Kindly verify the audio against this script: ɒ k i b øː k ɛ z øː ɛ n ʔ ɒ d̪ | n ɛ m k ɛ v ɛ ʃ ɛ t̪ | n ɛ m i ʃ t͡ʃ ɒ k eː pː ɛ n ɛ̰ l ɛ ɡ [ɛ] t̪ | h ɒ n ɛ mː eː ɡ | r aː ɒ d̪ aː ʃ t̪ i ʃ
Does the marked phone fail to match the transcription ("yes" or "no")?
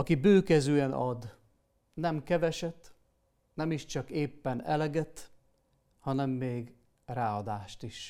no